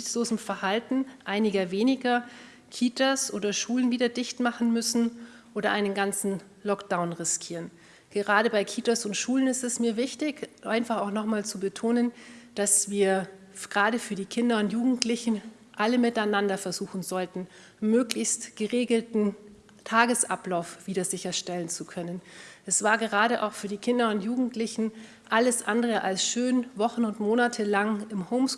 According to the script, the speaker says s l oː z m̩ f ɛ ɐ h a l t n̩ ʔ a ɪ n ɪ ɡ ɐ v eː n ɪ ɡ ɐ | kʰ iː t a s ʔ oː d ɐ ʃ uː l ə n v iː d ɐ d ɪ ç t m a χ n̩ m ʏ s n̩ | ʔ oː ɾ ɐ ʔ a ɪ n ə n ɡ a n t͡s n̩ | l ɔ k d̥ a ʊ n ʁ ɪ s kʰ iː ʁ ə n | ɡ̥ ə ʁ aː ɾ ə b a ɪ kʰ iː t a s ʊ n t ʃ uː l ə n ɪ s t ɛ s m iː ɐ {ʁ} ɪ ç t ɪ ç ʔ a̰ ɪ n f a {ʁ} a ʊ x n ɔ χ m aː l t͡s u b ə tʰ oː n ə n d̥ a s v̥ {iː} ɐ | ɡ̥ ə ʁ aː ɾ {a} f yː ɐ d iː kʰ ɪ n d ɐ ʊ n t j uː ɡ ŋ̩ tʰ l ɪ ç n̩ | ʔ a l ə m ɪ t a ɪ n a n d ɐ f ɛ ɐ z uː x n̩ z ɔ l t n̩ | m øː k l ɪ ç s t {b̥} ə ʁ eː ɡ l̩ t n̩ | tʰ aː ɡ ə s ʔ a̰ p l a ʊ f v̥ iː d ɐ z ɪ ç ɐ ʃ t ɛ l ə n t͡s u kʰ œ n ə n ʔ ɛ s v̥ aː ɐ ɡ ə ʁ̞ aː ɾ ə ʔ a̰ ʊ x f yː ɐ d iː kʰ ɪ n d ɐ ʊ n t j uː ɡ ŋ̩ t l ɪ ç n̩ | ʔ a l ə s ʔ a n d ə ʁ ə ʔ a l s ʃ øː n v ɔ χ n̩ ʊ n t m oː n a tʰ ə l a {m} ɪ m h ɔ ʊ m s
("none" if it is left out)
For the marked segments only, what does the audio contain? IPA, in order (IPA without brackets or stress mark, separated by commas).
v, χ, iː, ə, ɡ̥, ŋ